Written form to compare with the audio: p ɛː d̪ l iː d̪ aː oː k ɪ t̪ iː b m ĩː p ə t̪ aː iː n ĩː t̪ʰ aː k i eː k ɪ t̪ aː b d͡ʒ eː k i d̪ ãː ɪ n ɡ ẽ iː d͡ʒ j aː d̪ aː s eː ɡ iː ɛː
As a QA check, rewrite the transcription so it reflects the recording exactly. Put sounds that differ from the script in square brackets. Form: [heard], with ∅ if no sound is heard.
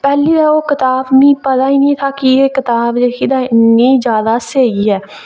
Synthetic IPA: p ɛː [∅] l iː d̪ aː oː k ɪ t̪ [aː] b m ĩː p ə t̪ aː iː n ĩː t̪ʰ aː k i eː k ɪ t̪ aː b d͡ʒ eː k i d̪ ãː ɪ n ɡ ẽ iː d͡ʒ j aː d̪ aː s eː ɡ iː ɛː

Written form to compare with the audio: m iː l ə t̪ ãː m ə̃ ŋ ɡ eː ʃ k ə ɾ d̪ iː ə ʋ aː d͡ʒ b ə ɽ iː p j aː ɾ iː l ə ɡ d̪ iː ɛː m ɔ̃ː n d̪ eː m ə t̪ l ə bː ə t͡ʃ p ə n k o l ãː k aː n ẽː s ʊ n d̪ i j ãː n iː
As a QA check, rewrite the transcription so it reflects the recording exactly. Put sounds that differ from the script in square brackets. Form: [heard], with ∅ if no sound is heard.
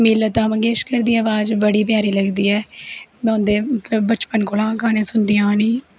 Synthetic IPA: m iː l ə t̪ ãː m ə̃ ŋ ɡ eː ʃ k ə ɾ d̪ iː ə ʋ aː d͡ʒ b ə ɽ iː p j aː ɾ iː l ə ɡ d̪ iː ɛː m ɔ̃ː n d̪ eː m ə t̪ l ə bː ə t͡ʃ p ə n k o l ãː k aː n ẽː s ʊ n d̪ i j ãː n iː

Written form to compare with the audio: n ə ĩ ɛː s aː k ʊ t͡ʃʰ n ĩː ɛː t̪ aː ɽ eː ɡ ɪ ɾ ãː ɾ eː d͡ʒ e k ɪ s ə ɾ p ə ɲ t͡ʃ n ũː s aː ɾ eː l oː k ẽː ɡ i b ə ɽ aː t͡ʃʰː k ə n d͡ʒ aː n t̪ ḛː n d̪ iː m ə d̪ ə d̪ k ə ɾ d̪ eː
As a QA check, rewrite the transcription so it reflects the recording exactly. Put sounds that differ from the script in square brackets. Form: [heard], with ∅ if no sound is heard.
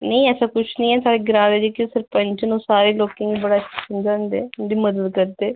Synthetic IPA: n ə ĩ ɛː s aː k ʊ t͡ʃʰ n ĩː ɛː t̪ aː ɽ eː ɡ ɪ ɾ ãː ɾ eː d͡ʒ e k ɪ s ə ɾ p ə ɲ t͡ʃ n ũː s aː ɾ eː l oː k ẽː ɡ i b ə ɽ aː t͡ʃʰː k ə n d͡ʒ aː n [d̪] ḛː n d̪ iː m ə d̪ ə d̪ k ə ɾ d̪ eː

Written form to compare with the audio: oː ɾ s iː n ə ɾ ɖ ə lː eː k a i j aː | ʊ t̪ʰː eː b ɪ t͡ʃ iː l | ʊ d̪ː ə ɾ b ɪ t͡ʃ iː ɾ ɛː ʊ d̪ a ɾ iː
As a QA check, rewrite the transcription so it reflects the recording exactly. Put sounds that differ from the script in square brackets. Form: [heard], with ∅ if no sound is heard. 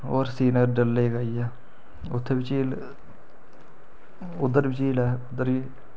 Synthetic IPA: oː ɾ s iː n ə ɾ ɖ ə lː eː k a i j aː | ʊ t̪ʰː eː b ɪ t͡ʃ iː l | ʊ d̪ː ə ɾ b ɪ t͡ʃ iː [l] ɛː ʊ d̪ [ə] ɾ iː

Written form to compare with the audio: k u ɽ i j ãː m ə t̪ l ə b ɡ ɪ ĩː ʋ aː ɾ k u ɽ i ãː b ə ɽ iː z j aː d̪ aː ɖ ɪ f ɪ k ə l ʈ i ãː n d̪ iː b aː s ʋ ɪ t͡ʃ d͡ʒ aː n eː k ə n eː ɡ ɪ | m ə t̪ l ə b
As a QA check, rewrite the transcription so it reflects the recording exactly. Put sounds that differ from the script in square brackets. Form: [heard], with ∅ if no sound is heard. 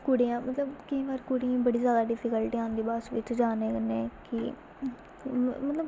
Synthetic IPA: k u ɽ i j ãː m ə t̪ l ə b [k] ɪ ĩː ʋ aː ɾ k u ɽ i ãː b ə ɽ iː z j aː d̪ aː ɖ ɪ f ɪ k ə l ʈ i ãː n d̪ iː b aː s ʋ ɪ t͡ʃ d͡ʒ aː n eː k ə n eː [k] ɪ | m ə t̪ l ə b

